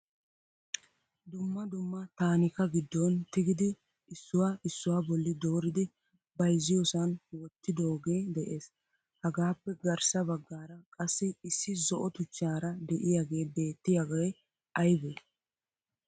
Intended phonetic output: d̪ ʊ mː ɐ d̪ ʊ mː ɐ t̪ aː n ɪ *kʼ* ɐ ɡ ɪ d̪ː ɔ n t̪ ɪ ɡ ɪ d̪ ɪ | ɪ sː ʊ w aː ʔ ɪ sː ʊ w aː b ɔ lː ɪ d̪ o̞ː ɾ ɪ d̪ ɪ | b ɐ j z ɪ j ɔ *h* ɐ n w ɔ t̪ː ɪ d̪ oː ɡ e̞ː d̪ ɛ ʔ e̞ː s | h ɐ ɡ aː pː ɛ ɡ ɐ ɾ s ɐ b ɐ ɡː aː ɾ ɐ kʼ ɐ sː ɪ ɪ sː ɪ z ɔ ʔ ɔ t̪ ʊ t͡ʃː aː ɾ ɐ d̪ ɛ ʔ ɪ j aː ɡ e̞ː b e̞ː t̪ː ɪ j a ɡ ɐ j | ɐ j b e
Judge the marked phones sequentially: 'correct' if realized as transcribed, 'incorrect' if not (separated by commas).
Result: incorrect, incorrect